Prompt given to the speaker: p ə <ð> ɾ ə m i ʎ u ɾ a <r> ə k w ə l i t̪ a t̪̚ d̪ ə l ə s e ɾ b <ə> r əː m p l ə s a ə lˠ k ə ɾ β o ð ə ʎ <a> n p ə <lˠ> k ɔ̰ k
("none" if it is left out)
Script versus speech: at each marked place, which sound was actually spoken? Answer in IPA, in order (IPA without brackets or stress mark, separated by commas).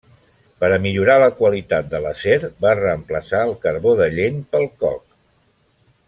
none, l, a, e, lˠ